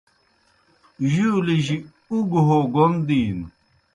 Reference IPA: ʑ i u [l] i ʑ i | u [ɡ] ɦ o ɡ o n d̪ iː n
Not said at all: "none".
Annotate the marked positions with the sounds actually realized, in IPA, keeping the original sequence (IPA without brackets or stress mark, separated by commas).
l, ɡ